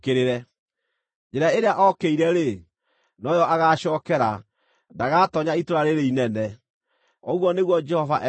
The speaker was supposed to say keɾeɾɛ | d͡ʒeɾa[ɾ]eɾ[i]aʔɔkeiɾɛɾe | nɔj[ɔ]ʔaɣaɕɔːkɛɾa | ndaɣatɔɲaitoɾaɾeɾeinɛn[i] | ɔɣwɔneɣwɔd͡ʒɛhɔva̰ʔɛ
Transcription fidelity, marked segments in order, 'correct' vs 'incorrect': incorrect, incorrect, correct, incorrect

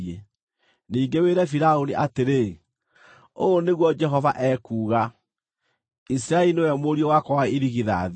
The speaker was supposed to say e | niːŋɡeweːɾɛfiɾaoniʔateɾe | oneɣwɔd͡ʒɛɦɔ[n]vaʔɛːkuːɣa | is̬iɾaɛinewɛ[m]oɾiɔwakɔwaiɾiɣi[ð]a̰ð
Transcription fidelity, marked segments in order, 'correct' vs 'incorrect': incorrect, correct, correct

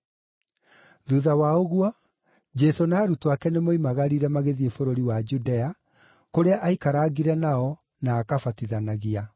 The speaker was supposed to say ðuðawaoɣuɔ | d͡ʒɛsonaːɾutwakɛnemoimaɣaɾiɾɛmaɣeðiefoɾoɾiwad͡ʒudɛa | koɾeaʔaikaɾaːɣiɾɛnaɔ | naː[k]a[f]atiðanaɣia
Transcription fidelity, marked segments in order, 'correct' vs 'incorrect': correct, correct

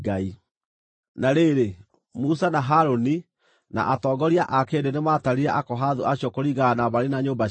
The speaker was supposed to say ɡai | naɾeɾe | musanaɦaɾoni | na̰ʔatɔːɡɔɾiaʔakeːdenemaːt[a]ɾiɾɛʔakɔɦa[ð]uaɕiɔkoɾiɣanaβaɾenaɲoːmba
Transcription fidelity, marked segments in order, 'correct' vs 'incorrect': correct, correct

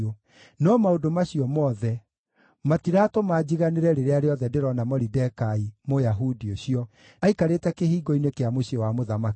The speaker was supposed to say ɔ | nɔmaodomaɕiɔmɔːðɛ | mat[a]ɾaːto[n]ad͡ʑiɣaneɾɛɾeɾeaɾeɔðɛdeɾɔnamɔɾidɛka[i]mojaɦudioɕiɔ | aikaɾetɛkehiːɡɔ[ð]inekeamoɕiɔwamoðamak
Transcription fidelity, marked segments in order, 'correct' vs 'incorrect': incorrect, incorrect, correct, incorrect

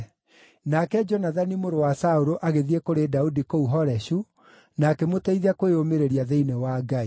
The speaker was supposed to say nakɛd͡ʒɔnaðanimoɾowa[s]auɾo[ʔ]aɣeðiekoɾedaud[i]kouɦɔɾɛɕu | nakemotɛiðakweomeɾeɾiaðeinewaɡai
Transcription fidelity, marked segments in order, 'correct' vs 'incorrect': correct, correct, correct

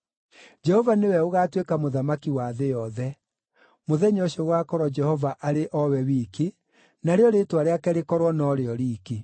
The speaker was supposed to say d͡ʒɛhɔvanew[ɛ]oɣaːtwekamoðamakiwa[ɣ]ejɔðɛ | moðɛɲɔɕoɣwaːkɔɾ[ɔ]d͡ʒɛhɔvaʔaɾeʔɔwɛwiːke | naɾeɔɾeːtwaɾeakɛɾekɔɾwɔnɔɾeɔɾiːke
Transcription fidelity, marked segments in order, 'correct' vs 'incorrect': correct, incorrect, correct

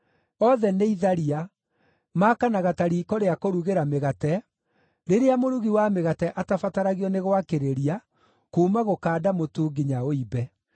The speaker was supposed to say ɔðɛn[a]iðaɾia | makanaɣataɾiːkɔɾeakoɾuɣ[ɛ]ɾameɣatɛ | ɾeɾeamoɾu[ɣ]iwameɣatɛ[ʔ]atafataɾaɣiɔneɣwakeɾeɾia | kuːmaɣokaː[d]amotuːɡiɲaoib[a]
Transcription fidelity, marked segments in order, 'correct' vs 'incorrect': incorrect, incorrect, correct, correct, correct, incorrect

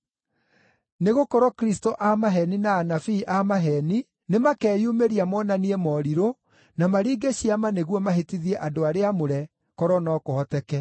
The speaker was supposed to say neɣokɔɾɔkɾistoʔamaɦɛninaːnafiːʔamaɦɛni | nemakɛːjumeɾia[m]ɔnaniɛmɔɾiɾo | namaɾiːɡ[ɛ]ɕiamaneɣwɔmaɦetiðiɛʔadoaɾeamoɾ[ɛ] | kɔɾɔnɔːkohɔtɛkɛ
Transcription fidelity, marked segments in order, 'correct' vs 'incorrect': correct, incorrect, correct

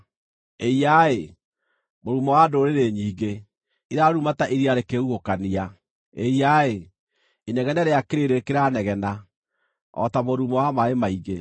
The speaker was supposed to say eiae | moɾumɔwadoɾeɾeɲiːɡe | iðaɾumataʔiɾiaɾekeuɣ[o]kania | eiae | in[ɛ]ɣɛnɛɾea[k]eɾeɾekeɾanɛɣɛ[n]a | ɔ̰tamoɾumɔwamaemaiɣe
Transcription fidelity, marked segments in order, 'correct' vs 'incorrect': correct, correct, correct, correct

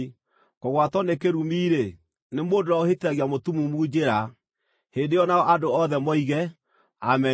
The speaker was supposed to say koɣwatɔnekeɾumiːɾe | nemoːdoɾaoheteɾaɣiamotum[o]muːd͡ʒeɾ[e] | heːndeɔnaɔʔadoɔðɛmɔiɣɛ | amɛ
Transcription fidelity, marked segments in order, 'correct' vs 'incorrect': incorrect, incorrect

